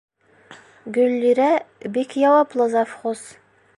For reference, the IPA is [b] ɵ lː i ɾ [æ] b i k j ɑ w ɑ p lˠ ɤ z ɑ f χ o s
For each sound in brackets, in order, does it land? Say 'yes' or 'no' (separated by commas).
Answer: no, yes